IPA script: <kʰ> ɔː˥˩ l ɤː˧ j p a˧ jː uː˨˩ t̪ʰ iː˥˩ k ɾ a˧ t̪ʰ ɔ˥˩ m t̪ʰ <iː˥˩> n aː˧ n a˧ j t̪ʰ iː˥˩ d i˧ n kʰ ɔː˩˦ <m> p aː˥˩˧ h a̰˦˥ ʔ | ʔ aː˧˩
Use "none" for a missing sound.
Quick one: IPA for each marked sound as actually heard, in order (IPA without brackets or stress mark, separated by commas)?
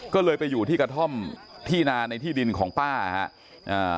k, iː˥˩, ŋ